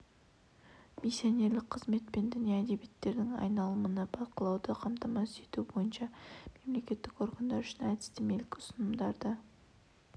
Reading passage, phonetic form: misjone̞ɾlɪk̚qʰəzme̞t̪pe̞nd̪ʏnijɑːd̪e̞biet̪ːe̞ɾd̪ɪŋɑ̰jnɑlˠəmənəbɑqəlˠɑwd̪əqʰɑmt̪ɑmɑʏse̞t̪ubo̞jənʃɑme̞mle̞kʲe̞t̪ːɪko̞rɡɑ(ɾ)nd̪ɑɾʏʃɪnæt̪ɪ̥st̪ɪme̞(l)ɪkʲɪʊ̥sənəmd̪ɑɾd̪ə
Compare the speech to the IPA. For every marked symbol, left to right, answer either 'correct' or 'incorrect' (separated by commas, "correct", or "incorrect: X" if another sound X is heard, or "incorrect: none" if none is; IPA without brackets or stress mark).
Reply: incorrect: none, correct